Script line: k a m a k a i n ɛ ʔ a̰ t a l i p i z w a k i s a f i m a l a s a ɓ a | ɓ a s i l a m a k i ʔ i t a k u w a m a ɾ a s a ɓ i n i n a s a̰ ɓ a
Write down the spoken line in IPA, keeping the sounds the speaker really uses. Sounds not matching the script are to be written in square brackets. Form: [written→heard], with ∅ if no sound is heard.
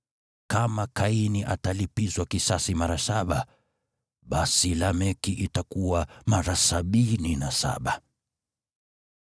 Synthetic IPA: k a m a k a i n [ɛ→i] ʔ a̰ t a l i p i z w a k i s a [f→s] i m a [l→ɾ] a s a ɓ a | ɓ a s i l a m [a→ɛ] k i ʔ i t a k u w a m a ɾ a s a ɓ i n i n a s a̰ ɓ a